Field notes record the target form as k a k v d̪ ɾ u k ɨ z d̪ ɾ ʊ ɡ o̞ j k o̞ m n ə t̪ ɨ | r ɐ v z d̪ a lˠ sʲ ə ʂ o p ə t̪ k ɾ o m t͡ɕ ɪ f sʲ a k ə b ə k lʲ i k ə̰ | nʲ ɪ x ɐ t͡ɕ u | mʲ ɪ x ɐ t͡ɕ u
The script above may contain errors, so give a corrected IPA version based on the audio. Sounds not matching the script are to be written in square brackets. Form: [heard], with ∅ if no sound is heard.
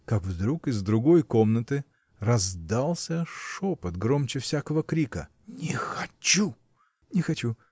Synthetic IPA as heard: k a k v d̪ ɾ u k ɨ z d̪ ɾ ʊ ɡ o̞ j k o̞ m n ə t̪ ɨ | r ɐ [∅] z d̪ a lˠ sʲ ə ʂ o p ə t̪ [ɡ] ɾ o m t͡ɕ ɪ f sʲ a k ə [v] ə k [ɾʲ] i k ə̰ | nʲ ɪ x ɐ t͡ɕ u | [nʲ] ɪ x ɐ t͡ɕ u